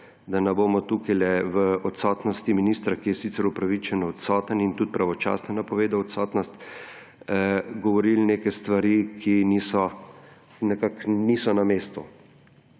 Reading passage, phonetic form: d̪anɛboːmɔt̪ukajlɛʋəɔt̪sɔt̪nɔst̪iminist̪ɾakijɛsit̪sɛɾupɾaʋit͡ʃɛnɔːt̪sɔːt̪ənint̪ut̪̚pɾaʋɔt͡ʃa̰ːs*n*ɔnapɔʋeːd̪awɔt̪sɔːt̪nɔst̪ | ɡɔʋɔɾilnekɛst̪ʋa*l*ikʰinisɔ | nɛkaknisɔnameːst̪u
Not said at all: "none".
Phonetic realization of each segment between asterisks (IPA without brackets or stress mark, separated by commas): n, ɾ